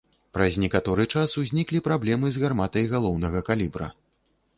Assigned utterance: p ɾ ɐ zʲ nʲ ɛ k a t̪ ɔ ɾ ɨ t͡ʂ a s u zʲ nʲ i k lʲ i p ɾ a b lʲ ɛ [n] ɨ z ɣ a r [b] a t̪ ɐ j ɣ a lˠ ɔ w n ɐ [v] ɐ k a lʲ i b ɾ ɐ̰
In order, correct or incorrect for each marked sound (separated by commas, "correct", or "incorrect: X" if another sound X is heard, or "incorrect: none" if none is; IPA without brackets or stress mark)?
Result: incorrect: m, incorrect: m, incorrect: ɣ